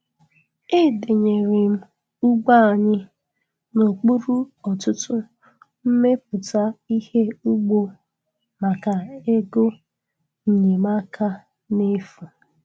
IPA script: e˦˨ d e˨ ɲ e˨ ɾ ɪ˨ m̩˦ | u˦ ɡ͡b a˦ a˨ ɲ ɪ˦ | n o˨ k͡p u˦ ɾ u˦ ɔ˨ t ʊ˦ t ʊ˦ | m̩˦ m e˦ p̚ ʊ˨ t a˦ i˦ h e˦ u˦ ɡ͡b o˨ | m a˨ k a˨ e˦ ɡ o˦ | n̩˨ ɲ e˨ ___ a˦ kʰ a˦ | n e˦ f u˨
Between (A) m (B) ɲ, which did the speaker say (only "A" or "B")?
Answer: A